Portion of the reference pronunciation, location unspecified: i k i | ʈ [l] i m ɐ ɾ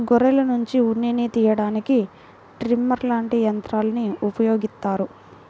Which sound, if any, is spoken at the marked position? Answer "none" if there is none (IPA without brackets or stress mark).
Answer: ɾ